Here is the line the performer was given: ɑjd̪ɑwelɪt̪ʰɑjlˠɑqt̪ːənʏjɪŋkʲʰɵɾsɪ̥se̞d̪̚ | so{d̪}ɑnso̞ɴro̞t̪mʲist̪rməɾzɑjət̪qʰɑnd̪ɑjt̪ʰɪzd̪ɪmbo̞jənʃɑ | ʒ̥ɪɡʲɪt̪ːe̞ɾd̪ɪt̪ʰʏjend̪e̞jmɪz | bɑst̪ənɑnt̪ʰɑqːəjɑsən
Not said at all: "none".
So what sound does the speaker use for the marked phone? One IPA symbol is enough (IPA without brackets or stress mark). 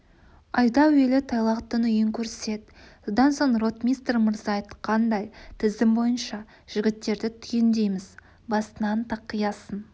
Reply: d̪